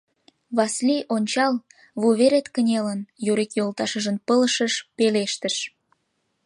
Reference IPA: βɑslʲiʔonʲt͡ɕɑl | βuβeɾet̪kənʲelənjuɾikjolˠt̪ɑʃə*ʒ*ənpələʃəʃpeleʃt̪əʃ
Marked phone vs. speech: correct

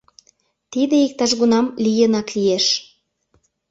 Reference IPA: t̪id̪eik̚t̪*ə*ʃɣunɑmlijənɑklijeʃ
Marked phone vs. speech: incorrect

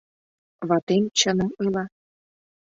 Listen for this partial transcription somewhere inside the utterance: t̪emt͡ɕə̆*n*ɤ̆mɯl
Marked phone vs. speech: correct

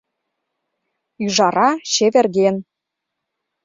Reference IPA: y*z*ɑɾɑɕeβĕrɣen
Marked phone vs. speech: incorrect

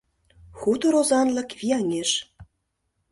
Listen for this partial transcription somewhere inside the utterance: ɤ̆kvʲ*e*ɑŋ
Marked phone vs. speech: incorrect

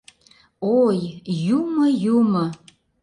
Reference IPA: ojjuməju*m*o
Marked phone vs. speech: correct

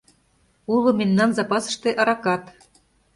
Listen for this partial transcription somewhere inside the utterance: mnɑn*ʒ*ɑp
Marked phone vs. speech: incorrect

